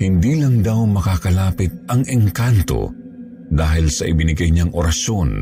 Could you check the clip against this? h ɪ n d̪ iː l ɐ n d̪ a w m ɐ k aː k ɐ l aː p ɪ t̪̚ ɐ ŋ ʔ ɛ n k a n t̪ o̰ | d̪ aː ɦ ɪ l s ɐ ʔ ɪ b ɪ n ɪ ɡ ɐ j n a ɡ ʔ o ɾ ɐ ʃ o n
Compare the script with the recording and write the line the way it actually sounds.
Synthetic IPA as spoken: h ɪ n d̪ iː l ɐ ŋ d̪ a w m ɐ k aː k ɐ l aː p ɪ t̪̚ ɐ ŋ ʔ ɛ ŋ k a n t̪ o̰ | d̪ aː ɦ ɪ l s ɐ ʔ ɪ b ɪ n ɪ ɡ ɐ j ɲ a ŋ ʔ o ɾ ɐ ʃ o n